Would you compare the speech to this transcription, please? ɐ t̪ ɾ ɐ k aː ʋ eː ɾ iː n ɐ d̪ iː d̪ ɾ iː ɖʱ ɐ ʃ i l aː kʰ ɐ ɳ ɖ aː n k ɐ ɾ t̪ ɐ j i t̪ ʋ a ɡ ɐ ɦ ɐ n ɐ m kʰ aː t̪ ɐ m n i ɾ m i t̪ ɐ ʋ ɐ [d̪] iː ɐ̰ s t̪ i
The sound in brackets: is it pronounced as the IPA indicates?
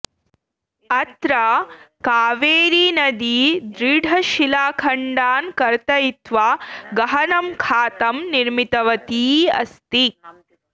no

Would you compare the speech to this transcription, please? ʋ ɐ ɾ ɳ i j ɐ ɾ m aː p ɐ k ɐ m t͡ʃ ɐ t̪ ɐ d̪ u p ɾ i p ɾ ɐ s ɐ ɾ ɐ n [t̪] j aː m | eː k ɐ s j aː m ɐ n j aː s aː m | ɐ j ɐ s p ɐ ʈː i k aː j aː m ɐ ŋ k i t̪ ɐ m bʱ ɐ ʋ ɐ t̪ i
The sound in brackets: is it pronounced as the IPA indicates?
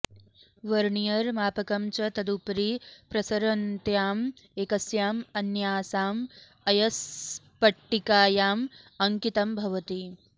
yes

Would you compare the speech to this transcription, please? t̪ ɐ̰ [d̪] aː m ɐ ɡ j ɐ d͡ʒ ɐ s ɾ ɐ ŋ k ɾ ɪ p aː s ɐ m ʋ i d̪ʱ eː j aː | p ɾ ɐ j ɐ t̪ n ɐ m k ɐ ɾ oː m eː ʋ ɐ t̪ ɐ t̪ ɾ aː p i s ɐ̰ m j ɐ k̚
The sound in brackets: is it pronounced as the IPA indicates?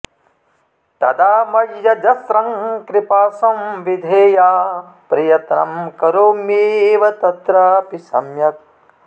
yes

